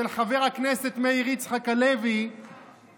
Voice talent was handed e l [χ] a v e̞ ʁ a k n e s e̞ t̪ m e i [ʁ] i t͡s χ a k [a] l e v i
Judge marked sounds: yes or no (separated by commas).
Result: yes, yes, yes